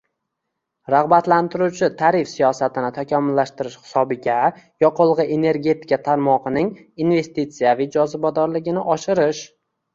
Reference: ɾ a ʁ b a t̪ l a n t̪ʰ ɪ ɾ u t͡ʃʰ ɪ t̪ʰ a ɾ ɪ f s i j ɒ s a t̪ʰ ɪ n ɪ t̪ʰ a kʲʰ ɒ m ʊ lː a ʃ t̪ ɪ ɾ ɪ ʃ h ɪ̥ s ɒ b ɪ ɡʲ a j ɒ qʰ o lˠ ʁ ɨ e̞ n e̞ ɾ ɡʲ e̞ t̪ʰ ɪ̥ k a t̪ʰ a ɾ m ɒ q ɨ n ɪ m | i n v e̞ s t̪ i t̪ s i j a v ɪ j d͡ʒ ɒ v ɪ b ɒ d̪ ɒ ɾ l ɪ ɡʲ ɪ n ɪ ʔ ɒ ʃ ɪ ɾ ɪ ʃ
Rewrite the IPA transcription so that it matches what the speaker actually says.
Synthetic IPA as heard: ɾ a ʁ b a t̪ l a n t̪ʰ ɪ ɾ u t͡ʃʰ ɪ t̪ʰ a ɾ ɪ f s i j ɒ s a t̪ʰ ɪ n ɪ t̪ʰ a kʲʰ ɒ m ʊ lː a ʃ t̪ ɪ ɾ ɪ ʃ h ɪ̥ s ɒ b ɪ ɡʲ a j ɒ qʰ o lˠ ʁ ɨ e̞ n e̞ ɾ ɡʲ e̞ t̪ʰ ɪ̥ k a t̪ʰ a ɾ m ɒ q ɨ n ɪ ŋ | i n v e̞ s t̪ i t̪ s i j a v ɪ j d͡ʒ ɒ z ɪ b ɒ d̪ ɒ ɾ l ɪ ɡʲ ɪ n ɪ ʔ ɒ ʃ ɪ ɾ ɪ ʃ